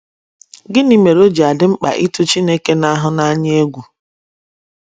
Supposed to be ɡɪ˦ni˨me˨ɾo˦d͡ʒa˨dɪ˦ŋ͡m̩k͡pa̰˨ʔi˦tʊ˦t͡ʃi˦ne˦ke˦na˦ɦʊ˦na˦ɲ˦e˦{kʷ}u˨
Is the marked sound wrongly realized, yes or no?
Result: yes